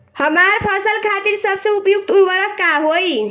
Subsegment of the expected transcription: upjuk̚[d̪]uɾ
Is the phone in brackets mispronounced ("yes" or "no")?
yes